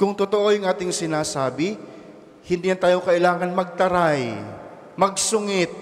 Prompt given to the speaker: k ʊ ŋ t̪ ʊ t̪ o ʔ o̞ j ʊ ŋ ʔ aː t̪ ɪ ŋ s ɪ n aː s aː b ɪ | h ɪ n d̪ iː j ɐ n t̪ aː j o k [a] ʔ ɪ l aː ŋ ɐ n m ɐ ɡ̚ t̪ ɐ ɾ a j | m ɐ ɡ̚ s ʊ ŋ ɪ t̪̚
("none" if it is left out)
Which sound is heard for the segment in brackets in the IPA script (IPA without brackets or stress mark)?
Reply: ɐ